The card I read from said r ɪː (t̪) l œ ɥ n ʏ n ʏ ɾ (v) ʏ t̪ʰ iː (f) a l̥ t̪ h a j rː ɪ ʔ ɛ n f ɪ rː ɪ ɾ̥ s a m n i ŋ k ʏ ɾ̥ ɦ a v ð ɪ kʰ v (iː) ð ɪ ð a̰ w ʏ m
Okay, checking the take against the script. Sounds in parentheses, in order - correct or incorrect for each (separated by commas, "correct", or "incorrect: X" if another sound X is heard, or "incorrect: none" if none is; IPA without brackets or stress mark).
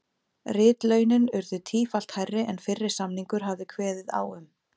correct, incorrect: ð, correct, incorrect: ɛː